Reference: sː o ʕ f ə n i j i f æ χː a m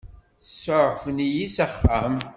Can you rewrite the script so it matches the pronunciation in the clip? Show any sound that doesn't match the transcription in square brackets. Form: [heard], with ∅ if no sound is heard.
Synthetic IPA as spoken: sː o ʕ f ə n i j i [s] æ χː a m